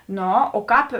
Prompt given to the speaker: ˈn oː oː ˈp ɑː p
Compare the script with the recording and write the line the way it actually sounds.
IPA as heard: ˈn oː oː ˈk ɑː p